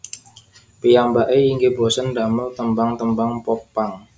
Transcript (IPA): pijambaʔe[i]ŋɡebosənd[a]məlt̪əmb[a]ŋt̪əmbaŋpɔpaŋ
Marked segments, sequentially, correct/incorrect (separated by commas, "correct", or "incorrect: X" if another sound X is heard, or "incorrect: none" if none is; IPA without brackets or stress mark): correct, correct, correct